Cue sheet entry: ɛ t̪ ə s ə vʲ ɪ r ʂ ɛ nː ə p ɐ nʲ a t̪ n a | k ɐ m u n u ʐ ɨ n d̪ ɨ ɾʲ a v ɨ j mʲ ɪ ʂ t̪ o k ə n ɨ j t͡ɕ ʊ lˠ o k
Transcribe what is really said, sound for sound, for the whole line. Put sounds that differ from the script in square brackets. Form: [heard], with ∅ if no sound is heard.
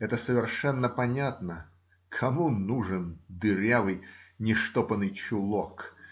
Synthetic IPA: ɛ t̪ ə s ə vʲ ɪ r ʂ ɛ nː ə p ɐ nʲ a t̪ n [ə] | [kʰ] ɐ m u n u ʐ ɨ n d̪ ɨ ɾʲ a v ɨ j [nʲ] ɪ ʂ t̪ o [p] ə n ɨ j t͡ɕ ʊ lˠ o k